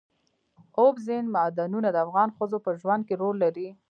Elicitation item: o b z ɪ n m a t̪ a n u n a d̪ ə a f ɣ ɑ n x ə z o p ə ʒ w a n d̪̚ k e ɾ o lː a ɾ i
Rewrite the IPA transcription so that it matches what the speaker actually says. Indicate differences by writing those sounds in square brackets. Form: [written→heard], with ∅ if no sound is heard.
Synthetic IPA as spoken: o b z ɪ n m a [t̪→d̪] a n u n a d̪ ə a f ɣ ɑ n x ə z o p ə ʒ w a n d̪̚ k e ɾ o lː a ɾ i